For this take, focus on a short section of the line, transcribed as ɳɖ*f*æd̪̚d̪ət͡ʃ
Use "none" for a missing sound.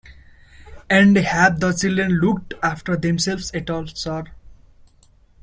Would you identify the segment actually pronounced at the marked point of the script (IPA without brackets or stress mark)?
h